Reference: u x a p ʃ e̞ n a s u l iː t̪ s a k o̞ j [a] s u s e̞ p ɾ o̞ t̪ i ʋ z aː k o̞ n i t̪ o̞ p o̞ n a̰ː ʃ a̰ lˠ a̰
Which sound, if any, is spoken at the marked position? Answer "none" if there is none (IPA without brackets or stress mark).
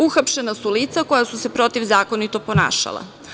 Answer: a